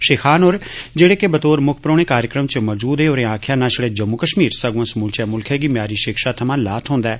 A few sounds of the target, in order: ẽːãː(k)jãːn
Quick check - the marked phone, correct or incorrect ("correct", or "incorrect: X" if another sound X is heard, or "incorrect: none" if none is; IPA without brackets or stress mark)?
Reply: incorrect: kʰ